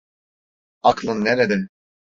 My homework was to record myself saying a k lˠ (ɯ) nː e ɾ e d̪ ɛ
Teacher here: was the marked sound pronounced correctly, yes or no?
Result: yes